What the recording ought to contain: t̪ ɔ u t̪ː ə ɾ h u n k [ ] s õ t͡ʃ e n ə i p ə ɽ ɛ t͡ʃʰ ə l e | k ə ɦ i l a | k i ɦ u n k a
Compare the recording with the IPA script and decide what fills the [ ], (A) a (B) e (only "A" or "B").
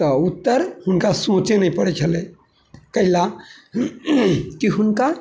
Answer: A